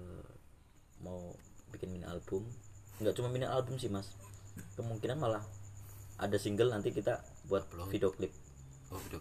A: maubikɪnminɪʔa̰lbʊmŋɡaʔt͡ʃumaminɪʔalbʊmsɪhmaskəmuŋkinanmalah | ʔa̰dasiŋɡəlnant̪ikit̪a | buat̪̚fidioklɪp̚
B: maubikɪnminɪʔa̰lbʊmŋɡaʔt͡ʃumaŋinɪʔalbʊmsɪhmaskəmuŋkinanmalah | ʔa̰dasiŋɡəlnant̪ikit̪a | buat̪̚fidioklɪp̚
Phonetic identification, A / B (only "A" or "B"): A